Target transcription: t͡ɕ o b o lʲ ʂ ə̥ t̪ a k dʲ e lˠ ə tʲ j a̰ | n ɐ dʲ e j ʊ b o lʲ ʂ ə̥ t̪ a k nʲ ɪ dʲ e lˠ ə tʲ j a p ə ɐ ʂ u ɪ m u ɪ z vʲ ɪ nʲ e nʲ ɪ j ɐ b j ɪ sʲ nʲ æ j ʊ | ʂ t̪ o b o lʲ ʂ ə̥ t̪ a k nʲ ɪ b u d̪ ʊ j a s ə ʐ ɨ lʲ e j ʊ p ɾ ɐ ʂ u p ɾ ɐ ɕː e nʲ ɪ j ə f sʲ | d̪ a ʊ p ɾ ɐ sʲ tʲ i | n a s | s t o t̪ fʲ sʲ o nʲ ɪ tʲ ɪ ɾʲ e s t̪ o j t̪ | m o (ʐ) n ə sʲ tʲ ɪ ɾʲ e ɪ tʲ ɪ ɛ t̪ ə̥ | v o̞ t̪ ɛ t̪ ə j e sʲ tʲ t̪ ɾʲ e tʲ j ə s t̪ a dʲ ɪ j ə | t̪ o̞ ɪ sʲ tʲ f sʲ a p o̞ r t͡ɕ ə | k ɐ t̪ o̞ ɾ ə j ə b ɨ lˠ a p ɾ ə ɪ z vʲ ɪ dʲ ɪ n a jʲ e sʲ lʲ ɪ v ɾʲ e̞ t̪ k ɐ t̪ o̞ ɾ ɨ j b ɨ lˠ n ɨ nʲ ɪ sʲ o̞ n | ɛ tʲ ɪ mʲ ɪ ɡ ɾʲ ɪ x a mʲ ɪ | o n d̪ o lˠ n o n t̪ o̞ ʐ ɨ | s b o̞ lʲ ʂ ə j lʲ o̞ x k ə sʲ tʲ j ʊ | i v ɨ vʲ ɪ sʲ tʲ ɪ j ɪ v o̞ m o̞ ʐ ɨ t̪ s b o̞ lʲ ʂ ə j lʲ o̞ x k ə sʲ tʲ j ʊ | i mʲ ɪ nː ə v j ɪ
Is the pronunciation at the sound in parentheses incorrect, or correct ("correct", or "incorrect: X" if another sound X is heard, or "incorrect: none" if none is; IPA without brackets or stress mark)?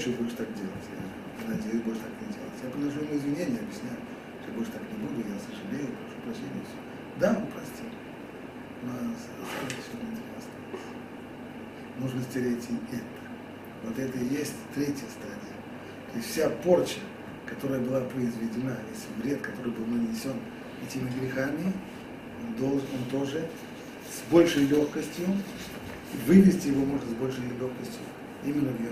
correct